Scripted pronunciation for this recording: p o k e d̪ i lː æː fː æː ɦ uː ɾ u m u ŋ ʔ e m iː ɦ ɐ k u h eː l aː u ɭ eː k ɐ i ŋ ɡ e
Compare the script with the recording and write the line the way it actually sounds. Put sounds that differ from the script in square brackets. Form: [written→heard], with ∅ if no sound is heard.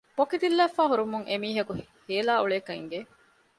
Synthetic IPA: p o k [e→i] d̪ i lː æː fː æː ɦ [uː→u] ɾ u m u ŋ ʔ e m iː ɦ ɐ k u h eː l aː u ɭ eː k ɐ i ŋ ɡ e